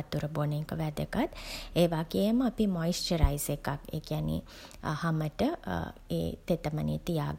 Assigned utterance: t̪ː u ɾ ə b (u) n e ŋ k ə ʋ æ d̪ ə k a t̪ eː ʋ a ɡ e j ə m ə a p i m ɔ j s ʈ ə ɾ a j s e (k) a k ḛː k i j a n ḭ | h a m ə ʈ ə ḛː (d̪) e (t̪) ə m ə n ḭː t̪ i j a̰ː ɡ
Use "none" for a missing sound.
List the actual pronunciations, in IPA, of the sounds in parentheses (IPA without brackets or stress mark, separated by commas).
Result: o, k, t̪, t̪